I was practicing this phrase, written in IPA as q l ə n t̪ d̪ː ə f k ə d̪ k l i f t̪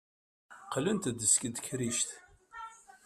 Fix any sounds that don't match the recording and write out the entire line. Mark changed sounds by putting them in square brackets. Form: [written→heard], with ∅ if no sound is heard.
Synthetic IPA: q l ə n t̪ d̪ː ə [f→s] k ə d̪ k [l→ɾ] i [f→ʃ] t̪